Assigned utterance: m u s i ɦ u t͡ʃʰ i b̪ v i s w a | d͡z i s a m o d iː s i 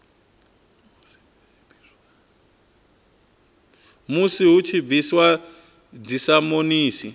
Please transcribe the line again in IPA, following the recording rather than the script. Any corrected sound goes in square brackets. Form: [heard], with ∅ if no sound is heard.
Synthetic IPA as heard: m u s i ɦ u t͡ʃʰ i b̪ v i s w a | d͡z i s a m o [n] iː s i